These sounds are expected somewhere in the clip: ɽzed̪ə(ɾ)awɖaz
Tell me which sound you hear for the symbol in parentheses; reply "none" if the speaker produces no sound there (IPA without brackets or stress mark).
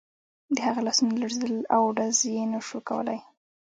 l